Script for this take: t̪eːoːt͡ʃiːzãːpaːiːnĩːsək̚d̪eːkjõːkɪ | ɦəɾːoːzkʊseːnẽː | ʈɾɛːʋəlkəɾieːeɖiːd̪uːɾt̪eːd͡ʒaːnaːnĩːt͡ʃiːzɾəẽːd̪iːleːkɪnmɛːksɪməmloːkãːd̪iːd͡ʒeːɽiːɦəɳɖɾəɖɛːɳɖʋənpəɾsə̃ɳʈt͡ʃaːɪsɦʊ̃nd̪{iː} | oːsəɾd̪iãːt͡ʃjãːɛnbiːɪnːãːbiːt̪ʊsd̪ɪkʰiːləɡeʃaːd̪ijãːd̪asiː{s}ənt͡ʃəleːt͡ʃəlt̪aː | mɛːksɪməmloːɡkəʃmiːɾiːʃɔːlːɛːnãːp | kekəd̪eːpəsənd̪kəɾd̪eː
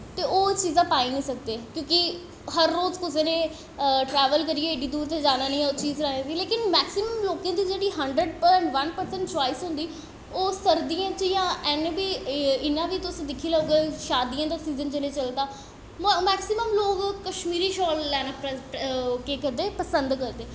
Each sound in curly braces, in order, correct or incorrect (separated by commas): correct, incorrect